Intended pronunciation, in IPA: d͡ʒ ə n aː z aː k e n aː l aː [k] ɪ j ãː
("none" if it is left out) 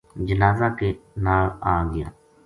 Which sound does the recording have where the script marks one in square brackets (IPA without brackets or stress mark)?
ɡ